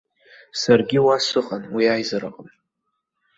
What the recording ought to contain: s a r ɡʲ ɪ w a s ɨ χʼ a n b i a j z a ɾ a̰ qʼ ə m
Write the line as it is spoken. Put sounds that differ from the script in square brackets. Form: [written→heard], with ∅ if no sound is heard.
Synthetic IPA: s a r ɡʲ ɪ w a s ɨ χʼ a n [b→w] i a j z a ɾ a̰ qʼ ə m

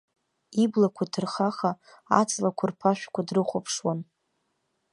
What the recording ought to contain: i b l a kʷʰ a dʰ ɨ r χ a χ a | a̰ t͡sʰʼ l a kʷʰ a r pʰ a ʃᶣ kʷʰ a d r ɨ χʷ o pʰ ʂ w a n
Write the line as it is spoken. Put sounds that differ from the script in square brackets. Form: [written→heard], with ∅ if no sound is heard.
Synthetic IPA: i b l a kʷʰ a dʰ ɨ r χ a χ a | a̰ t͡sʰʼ l a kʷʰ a r pʰ a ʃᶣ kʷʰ a d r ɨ χʷ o pʰ ʂ w a n

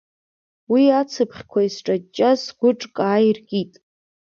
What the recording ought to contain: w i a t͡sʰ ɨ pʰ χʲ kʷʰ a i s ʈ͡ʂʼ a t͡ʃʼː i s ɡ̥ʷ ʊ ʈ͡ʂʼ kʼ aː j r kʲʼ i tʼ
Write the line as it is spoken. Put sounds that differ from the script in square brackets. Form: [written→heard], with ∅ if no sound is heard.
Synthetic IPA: w i a t͡sʰ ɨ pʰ χʲ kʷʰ a i s ʈ͡ʂʼ a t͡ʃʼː [i→a] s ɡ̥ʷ ʊ ʈ͡ʂʼ kʼ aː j r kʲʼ i tʼ

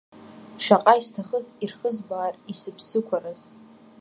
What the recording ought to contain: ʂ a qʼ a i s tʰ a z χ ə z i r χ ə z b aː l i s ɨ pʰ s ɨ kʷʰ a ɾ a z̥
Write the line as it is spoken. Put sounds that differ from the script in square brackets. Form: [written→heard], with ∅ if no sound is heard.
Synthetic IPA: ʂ a qʼ a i s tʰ a [z→∅] χ ə z i r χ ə z b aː [l→r] i s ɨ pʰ s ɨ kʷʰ a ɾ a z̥

